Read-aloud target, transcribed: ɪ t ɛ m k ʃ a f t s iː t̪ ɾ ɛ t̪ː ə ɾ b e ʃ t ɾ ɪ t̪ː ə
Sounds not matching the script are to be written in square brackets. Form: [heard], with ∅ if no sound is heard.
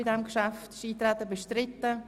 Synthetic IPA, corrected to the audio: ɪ [d] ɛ m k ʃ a f t [ʃ] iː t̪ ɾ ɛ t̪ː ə [∅] b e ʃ t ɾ ɪ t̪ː ə

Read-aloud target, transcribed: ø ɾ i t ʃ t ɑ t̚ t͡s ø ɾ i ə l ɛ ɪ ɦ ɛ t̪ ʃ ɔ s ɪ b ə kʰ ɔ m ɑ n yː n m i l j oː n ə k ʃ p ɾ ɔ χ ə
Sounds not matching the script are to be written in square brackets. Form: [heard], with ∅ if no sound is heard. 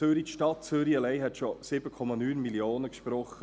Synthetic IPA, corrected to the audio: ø ɾ i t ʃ t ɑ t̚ t͡s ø ɾ i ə l ɛ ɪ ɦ ɛ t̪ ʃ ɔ s ɪ b ə kʰ ɔ m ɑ n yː n m i l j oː n ə k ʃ p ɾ ɔ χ ə

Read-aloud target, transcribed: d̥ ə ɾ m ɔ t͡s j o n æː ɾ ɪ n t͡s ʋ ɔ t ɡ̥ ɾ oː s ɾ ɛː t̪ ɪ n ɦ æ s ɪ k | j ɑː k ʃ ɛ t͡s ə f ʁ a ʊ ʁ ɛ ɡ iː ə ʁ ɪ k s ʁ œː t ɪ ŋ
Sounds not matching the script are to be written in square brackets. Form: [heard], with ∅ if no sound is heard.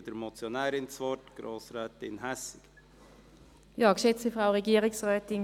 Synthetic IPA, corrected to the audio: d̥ ə ɾ m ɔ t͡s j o n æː ɾ ɪ n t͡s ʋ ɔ t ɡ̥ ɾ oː s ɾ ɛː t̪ ɪ n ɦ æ s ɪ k | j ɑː k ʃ ɛ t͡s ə f ʁ a ʊ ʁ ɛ ɡ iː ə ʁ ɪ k s ʁ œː t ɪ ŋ

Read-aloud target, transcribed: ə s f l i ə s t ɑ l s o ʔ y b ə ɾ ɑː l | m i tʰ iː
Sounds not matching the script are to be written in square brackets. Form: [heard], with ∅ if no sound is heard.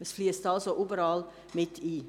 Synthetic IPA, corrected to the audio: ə s f l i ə s t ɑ l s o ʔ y b ə ɾ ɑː l | m [ɪ] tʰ iː

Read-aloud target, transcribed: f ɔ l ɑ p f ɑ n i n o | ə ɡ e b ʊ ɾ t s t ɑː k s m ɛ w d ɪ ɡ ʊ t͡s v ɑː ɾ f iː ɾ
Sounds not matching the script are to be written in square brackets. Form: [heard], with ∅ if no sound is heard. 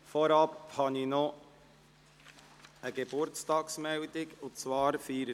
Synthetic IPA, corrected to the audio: f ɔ [ɾ] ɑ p [h] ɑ n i n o | ə ɡ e b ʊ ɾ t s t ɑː k s m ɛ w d ɪ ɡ ʊ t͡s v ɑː ɾ f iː ɾ

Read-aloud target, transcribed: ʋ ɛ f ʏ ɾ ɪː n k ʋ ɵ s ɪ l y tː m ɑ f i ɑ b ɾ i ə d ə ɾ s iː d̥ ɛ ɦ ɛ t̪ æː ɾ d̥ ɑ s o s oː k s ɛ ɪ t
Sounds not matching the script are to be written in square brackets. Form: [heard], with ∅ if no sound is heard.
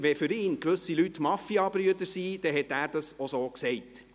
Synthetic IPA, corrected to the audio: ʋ ɛ f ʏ ɾ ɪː n k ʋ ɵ s [i] l y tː m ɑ f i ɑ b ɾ [y] ə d ə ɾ s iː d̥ ɛ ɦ ɛ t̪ æː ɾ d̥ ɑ s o s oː k s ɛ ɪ t

